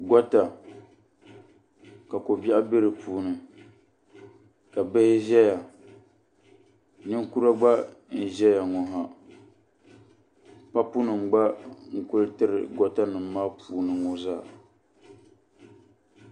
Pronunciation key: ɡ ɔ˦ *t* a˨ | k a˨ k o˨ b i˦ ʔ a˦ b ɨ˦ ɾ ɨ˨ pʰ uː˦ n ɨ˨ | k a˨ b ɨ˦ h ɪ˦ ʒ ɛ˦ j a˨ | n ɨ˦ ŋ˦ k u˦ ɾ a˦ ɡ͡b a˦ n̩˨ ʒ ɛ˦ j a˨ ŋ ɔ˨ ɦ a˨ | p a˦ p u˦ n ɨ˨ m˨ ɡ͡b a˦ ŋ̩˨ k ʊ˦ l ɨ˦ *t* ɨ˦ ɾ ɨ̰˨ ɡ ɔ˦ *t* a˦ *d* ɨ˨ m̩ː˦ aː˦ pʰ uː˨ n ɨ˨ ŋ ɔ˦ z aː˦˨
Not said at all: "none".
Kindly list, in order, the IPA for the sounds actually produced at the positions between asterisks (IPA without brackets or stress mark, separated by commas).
t, t, t, n